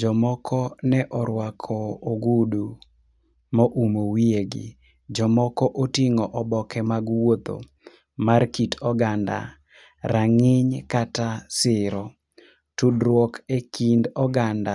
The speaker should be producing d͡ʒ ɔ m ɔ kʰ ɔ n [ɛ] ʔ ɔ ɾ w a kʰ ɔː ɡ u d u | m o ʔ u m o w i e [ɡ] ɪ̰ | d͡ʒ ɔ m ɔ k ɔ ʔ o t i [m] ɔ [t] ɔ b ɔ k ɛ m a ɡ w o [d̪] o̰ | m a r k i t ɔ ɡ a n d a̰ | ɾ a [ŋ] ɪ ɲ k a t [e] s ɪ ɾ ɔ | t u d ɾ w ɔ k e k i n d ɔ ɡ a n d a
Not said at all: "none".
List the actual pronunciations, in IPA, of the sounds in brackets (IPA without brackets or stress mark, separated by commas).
ɛ, ɡ, ŋ, ʔ, t̪, ŋ, a